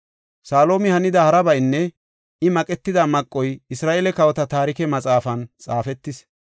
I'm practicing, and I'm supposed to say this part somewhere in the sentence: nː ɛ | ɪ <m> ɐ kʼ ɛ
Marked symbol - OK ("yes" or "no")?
yes